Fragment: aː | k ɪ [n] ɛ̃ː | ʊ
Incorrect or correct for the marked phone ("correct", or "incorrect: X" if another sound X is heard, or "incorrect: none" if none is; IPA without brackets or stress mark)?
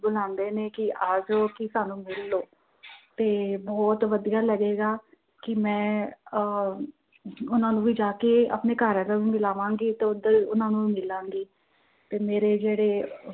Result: incorrect: m